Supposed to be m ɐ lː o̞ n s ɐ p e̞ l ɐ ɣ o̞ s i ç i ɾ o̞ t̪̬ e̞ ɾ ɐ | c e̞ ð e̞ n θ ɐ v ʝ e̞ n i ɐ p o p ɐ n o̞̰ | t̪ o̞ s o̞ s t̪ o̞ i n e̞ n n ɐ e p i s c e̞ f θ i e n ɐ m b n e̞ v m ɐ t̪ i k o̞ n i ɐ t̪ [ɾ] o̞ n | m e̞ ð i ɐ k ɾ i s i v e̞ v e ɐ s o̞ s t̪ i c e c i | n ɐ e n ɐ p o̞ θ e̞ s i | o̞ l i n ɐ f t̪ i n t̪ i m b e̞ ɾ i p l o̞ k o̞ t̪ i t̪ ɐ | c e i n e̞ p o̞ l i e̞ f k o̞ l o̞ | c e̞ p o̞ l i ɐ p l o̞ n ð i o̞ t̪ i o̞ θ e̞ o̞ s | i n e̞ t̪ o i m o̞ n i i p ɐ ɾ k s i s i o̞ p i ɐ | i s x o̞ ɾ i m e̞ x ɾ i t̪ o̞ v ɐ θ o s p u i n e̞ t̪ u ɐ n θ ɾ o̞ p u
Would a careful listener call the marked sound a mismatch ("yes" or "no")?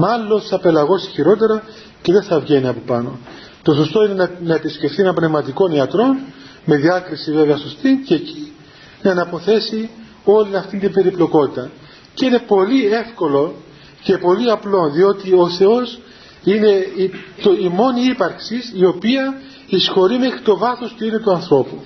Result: no